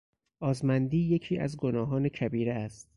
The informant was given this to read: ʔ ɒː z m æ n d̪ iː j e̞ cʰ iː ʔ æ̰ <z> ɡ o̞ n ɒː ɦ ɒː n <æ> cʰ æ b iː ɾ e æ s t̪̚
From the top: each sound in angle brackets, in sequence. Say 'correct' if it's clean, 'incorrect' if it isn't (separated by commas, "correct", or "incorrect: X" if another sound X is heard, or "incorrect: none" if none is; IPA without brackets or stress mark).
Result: correct, incorrect: e